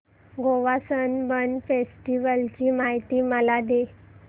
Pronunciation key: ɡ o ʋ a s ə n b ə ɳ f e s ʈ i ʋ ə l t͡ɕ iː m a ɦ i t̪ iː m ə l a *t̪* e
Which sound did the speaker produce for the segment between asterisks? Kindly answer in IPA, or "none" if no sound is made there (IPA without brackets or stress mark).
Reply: d̪